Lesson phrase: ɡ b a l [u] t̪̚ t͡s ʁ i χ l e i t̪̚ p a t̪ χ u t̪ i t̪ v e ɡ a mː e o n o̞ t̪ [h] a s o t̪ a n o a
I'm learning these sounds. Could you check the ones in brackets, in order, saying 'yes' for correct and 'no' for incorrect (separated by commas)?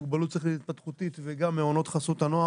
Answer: yes, no